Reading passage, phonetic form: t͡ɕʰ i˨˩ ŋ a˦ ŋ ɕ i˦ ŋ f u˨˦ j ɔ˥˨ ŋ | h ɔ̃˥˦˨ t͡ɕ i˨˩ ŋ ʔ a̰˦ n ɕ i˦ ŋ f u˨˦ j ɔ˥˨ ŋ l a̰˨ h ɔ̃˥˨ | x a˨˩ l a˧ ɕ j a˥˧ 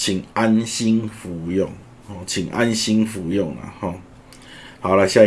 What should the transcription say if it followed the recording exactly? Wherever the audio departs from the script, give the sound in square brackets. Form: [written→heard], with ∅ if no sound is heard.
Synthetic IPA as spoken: t͡ɕʰ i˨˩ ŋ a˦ [ŋ→n] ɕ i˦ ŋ f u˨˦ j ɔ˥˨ ŋ | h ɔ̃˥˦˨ [t͡ɕ→t͡ɕʰ] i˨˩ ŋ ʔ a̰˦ n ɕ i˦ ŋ f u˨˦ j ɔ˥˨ ŋ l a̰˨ h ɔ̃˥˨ | [x→h] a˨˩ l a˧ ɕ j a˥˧